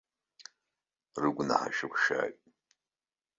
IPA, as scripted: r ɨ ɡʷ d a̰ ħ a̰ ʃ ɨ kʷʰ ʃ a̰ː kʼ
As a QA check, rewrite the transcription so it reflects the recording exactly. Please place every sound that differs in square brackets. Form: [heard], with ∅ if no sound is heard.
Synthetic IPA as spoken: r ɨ ɡʷ [n] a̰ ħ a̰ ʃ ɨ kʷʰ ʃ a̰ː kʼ